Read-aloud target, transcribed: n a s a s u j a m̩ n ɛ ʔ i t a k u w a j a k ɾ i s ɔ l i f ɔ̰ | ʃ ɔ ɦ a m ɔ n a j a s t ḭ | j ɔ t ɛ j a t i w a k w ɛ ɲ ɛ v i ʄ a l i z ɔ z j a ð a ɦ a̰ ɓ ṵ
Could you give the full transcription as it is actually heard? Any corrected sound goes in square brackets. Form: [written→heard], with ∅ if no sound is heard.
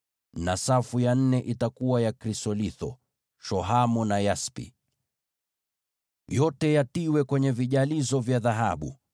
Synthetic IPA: n a s a [s→f] u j a [m̩→n̩] n ɛ ʔ i t a k u w a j a k ɾ i s ɔ l i [f→θ] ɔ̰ | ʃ ɔ ɦ a m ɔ n a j a s [t→p] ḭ | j ɔ t ɛ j a t i w [a→ɛ] k w ɛ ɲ ɛ v i ʄ a l i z ɔ [z→v] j a ð a ɦ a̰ ɓ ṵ